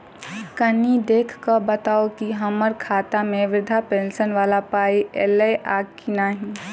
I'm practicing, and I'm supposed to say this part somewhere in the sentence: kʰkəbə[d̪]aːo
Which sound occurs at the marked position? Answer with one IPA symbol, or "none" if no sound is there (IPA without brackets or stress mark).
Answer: t̪